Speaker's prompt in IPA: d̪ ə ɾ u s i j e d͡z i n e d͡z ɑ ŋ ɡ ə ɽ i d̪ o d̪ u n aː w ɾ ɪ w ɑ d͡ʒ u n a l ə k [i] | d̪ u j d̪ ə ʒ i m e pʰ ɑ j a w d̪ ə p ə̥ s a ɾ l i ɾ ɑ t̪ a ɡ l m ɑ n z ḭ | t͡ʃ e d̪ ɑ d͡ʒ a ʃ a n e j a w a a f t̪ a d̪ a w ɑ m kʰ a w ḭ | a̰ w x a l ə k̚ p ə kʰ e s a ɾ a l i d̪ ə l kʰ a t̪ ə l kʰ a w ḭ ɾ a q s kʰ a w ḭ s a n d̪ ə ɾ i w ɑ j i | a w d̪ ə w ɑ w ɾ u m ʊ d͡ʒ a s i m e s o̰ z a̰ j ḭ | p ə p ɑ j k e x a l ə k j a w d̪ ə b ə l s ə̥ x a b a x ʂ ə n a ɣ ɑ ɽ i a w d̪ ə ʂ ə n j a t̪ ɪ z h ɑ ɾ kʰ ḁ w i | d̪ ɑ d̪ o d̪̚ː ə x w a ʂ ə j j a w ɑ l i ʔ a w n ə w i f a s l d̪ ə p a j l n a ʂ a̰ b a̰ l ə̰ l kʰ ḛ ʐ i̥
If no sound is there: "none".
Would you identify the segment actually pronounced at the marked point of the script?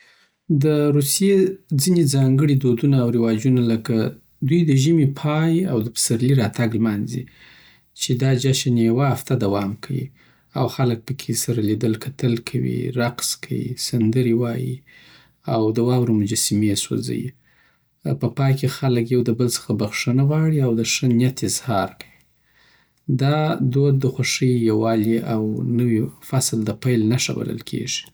a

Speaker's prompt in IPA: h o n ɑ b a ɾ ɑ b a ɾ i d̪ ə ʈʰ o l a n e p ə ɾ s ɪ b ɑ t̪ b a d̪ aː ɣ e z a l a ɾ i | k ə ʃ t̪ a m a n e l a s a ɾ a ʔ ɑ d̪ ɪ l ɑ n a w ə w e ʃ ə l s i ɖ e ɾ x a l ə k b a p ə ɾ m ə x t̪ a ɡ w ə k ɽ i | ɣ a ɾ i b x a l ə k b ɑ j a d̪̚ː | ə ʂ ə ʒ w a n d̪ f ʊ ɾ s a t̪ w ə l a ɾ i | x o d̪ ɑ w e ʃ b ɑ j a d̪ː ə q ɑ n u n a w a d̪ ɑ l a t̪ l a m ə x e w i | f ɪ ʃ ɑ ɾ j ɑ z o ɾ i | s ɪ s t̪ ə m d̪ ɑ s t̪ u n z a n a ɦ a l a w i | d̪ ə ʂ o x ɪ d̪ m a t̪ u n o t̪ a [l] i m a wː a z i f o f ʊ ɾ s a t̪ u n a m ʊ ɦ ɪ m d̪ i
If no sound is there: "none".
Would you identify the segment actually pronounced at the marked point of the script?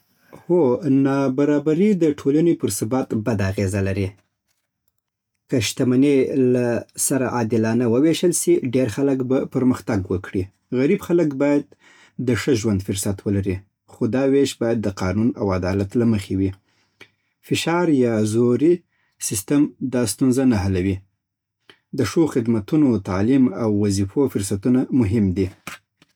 l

